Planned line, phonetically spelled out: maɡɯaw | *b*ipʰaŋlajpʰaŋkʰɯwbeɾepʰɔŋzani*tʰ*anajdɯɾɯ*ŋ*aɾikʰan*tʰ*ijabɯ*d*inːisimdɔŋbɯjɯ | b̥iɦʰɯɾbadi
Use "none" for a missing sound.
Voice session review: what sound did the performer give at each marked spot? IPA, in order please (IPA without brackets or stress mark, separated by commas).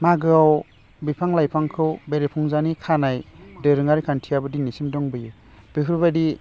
b, kʰ, ŋ, tʰ, d